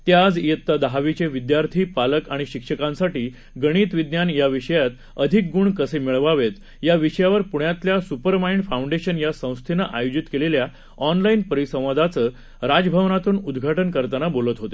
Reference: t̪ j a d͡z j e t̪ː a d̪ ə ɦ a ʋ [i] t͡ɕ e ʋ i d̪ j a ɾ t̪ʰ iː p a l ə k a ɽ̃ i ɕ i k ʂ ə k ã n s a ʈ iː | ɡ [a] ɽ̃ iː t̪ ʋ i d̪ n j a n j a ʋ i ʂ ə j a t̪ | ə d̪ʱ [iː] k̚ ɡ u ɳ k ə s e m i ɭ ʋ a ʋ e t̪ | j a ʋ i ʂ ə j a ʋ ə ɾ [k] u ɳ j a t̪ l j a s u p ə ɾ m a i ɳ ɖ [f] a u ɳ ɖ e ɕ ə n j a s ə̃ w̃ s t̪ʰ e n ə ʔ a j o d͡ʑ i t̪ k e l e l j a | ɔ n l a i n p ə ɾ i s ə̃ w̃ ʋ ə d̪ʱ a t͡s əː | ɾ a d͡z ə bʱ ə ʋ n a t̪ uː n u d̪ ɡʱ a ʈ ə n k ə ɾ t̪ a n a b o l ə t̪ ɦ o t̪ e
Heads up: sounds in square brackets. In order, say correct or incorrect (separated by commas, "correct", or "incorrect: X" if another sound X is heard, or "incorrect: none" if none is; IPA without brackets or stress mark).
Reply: correct, incorrect: ə, incorrect: i, incorrect: p, correct